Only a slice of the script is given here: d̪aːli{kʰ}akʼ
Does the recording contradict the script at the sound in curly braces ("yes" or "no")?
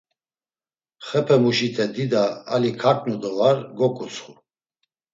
no